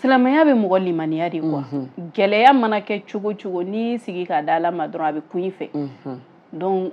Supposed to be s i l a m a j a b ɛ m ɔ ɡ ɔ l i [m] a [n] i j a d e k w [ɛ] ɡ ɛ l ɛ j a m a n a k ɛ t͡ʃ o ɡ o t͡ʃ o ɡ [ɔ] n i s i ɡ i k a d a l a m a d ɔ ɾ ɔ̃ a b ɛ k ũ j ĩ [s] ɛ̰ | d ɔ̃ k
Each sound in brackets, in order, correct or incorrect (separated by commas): correct, correct, incorrect, incorrect, incorrect